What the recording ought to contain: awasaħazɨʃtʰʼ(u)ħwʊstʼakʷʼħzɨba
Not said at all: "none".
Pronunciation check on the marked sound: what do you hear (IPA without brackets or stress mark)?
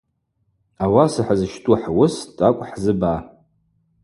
u